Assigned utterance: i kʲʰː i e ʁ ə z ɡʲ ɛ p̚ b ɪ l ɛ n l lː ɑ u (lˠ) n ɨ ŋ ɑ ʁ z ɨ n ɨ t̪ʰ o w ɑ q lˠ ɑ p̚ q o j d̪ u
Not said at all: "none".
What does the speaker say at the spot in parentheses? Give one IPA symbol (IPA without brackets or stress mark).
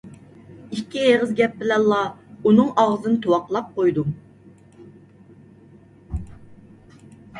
none